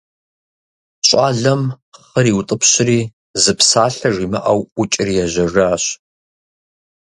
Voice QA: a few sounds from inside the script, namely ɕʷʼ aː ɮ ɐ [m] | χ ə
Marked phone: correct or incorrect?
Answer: correct